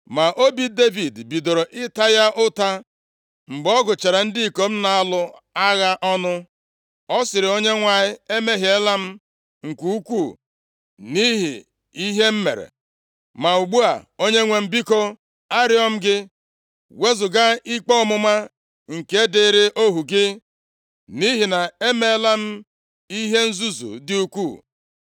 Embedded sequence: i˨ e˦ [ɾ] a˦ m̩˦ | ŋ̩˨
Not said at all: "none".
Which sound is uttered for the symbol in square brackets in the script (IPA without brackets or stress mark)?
l